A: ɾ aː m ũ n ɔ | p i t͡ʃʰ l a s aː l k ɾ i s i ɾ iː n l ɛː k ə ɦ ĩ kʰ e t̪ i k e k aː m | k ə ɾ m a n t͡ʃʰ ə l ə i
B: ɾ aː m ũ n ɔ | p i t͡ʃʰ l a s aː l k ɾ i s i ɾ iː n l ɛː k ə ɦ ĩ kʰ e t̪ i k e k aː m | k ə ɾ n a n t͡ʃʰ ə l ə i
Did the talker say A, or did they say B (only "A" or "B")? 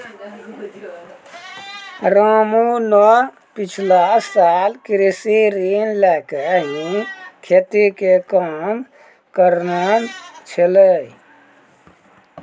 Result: B